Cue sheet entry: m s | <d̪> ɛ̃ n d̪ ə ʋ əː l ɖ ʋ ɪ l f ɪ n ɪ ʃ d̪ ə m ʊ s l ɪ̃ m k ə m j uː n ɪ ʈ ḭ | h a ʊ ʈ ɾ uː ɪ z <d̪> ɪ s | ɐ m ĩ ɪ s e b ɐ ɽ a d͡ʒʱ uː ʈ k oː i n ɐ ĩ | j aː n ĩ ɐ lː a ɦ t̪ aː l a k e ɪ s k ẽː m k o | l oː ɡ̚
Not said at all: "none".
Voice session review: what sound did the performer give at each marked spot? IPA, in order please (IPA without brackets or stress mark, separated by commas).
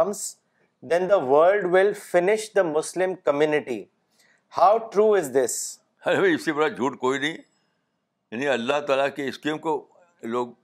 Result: d̪, d̪